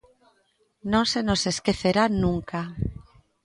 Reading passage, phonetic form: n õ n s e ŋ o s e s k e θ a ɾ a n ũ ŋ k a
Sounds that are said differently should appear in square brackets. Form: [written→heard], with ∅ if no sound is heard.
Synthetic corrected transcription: n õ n s e [ŋ→n] o s e s k e θ [a→e] ɾ a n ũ ŋ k a